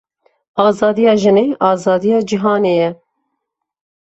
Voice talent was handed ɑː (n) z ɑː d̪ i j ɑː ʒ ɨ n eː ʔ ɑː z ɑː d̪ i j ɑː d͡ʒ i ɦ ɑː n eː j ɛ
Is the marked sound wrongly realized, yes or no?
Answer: yes